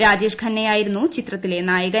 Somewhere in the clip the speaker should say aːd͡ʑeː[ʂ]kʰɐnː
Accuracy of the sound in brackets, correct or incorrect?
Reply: correct